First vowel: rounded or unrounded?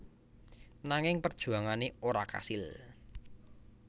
unrounded